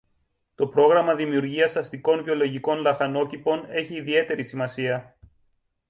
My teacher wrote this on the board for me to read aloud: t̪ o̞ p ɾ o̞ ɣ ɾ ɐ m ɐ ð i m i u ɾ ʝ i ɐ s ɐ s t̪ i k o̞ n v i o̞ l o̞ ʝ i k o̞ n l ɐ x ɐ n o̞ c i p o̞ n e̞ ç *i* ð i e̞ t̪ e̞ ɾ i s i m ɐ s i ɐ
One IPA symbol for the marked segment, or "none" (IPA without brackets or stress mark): iː